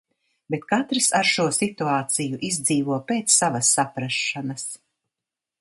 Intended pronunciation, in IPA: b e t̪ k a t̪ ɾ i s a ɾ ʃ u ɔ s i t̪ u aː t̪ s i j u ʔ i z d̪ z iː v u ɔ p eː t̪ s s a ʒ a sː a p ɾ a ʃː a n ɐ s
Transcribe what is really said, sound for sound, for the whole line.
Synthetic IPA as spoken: b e t̪ k a t̪ ɾ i s a ɾ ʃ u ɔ s i t̪ u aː t̪ s i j u ʔ i z d̪ z iː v u ɔ p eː t̪ s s a v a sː a p ɾ a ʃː a n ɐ s